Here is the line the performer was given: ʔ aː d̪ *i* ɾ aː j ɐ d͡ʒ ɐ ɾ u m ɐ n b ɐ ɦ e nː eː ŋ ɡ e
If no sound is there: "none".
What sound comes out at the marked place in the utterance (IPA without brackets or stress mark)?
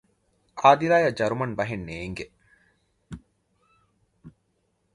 i